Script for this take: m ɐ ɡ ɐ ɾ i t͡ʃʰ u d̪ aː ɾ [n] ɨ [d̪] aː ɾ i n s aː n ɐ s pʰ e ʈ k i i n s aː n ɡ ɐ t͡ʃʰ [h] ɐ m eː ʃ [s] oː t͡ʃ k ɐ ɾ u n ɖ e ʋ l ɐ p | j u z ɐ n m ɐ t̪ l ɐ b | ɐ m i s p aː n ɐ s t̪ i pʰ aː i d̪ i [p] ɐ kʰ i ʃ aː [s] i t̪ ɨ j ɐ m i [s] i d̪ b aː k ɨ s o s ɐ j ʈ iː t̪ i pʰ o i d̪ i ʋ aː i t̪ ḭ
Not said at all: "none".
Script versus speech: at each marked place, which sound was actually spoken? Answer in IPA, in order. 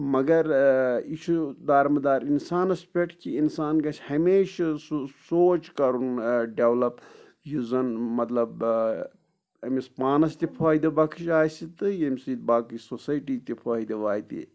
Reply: m, d̪, h, s, b, s, s

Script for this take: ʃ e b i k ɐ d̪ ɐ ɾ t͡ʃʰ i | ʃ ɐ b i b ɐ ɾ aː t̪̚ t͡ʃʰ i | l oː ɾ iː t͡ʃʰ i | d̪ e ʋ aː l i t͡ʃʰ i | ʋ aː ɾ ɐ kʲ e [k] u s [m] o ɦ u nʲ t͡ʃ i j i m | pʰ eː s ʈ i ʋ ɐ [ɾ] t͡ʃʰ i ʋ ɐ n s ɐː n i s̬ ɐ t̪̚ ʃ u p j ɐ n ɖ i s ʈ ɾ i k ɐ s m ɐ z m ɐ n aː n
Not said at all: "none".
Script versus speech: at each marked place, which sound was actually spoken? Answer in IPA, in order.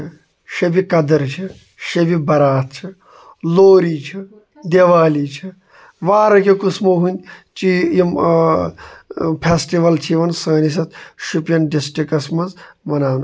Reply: k, m, l

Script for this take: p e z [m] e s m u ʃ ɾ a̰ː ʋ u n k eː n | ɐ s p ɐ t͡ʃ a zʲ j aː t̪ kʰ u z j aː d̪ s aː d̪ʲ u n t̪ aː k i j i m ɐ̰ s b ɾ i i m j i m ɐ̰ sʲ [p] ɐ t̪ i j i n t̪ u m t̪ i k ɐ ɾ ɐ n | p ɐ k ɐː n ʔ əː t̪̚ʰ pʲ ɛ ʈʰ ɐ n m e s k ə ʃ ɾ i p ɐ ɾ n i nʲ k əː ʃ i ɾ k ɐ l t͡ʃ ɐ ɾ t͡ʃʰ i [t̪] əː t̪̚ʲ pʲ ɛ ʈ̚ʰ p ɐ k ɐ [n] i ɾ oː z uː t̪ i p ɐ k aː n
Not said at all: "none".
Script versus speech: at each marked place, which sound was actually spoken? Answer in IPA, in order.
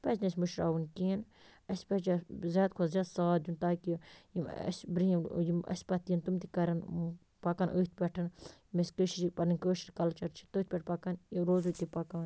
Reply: n, p, t̪, n

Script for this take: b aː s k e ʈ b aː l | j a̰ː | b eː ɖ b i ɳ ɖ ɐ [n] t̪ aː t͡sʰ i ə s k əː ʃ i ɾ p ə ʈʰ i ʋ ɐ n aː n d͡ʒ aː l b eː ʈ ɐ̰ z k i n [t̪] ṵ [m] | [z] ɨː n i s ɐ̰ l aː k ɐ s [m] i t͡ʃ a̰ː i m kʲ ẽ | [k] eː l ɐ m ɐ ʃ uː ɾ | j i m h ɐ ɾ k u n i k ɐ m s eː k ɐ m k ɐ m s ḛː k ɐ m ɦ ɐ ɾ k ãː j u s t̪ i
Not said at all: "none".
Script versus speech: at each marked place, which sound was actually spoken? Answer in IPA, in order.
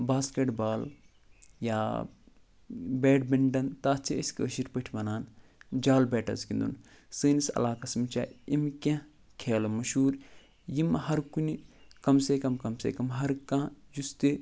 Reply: n, d̪, n, s, m, kʰ

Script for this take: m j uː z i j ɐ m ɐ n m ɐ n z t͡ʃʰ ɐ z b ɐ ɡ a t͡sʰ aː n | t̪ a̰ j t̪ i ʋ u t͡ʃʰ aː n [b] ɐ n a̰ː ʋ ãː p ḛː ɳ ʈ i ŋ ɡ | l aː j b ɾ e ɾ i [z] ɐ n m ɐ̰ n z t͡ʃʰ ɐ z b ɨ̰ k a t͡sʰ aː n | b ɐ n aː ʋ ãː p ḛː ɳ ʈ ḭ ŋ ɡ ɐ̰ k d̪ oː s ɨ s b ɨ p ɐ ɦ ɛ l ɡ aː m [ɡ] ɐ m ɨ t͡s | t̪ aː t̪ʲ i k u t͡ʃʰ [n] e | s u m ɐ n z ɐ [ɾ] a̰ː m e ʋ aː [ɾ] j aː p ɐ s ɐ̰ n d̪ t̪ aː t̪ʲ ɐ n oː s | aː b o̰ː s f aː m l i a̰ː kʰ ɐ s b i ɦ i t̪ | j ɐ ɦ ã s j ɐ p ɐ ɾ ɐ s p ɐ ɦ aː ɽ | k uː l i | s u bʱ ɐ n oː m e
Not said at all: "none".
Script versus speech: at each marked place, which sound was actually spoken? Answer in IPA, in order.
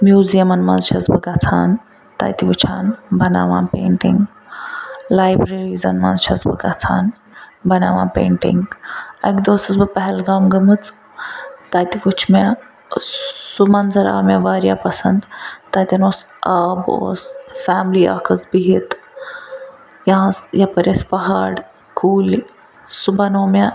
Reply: b, z, ɡ, m, ɾ, ɾ

